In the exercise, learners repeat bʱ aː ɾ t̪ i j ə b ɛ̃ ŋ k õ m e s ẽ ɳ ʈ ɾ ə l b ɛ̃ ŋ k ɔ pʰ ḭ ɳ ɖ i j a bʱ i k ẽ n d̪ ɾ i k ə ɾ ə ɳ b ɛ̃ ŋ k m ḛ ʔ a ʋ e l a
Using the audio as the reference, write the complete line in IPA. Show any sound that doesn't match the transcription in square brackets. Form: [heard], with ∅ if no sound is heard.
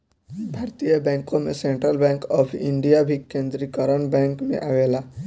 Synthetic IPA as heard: bʱ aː ɾ t̪ i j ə b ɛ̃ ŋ k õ m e s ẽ ɳ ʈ ɾ ə l b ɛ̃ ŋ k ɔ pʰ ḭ ɳ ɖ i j a bʱ i k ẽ n d̪ ɾ i k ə ɾ ə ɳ b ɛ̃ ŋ k m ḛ ʔ a ʋ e l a